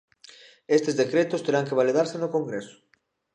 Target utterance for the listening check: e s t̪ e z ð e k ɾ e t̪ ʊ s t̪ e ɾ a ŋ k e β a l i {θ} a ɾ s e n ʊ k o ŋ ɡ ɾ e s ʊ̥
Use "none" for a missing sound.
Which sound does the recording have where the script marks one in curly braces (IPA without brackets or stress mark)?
ð